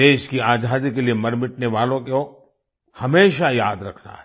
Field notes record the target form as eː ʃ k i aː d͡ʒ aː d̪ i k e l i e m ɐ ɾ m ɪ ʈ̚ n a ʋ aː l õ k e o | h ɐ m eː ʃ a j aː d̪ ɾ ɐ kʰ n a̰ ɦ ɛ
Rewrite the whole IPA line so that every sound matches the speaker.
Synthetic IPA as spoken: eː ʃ k i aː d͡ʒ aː d̪ i k e l i e m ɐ ɾ m ɪ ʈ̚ n e ʋ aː l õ k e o | h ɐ m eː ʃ a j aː d̪ ɾ ɐ kʰ n a̰ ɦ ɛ